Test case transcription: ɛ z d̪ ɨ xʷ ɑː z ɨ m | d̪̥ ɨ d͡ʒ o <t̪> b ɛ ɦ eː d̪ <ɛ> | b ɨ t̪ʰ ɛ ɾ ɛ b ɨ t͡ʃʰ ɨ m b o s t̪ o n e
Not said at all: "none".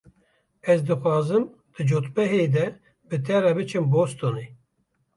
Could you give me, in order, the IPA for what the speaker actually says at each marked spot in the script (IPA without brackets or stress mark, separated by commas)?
t̪, ɛ